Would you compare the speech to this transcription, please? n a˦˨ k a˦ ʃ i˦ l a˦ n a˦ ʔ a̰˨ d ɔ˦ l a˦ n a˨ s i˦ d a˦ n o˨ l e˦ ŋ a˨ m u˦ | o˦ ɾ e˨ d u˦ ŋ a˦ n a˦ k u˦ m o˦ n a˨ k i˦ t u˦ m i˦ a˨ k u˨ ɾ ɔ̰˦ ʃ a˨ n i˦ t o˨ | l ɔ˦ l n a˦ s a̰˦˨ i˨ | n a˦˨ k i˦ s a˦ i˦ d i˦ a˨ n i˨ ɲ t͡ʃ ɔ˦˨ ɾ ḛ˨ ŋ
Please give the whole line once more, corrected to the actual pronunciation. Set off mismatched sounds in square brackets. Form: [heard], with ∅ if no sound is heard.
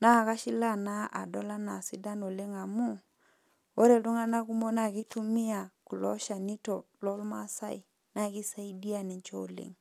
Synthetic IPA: n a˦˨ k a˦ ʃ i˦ l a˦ n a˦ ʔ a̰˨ d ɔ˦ l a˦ n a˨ s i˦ d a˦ n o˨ l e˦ ŋ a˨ m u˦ | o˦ ɾ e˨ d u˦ ŋ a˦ n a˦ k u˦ m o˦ n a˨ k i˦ t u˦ m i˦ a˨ k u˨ [l] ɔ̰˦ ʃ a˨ n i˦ t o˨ | l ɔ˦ l [m] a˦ s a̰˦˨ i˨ | n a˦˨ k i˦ s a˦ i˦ d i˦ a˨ n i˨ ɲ t͡ʃ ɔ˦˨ [l] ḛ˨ ŋ